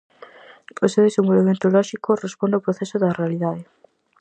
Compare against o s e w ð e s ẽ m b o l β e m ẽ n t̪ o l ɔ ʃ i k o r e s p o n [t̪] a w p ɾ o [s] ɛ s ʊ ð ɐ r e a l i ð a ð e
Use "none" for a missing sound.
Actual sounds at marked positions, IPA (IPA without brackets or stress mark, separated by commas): d̪, θ